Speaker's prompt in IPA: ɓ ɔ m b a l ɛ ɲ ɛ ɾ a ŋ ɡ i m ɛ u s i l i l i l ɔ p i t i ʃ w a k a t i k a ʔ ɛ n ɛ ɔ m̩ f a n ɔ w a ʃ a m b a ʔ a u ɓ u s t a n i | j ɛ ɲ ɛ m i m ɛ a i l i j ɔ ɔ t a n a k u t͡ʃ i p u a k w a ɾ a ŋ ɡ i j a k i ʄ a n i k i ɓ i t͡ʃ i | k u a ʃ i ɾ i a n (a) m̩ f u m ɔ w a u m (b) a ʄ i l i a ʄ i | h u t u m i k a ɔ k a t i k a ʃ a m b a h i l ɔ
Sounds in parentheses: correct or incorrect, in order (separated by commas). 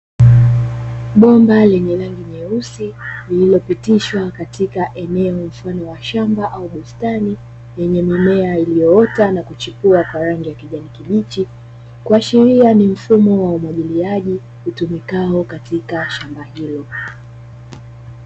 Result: incorrect, incorrect